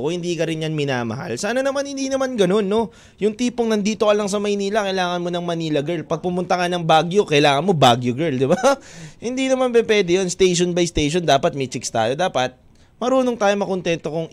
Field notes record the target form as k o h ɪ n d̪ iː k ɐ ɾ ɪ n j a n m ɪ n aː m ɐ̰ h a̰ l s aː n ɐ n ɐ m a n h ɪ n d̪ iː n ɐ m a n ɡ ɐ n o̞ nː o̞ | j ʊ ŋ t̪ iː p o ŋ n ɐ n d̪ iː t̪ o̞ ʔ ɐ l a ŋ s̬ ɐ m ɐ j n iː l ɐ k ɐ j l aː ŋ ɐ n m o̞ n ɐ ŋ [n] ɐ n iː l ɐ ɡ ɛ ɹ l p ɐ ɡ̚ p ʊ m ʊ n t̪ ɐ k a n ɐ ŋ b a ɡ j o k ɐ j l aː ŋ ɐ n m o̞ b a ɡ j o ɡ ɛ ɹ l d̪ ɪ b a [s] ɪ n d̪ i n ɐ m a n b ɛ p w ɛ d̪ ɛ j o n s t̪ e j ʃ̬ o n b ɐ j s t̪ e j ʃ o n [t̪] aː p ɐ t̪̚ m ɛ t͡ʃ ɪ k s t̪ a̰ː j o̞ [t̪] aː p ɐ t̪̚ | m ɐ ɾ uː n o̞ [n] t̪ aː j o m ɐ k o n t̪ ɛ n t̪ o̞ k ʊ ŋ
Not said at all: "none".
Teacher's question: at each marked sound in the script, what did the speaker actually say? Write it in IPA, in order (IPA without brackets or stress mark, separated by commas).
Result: m, h, d̪, d̪, ŋ